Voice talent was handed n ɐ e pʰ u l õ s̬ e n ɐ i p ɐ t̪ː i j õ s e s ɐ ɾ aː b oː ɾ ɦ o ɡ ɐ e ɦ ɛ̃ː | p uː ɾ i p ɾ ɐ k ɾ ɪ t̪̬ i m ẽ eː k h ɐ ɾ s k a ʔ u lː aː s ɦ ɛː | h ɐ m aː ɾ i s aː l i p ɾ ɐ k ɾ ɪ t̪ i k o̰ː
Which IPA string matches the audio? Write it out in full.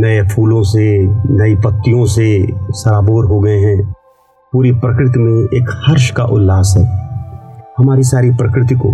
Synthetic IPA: n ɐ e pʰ uː l õ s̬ e n ɐ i p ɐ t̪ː i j õ s e s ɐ ɾ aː b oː ɾ ɦ o ɡ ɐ e ɦ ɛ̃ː | p uː ɾ i p ɾ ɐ k ɾ ɪ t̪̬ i m ẽ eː k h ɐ ɾ ʃ k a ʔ ʊ lː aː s ɦ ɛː | h ɐ m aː ɾ i s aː ɾ i p ɾ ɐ k ɾ ɪ t̪ i k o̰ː